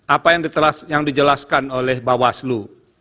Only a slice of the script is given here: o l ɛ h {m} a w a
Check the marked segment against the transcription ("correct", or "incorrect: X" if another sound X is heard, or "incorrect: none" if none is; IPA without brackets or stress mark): incorrect: b